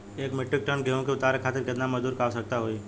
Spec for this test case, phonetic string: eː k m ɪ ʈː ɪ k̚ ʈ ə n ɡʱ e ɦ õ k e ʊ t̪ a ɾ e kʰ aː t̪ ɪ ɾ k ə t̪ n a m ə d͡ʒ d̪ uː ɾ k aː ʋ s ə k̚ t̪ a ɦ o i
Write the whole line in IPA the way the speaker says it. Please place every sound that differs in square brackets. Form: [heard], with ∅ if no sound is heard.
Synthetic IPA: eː k m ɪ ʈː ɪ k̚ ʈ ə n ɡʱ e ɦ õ k e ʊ t̪ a ɾ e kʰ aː t̪ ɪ ɾ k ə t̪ n a m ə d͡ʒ d̪ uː ɾ k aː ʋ s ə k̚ t̪ a ɦ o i